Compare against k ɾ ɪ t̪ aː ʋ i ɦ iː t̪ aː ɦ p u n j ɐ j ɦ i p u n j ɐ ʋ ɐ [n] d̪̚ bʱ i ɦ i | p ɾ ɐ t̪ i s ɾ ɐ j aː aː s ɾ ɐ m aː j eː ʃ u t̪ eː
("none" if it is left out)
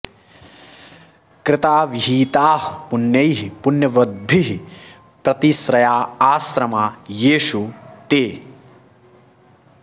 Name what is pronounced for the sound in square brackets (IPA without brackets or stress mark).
none